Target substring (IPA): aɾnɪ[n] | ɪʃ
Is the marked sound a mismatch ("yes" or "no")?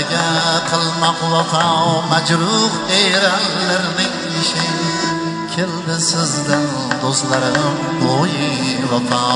yes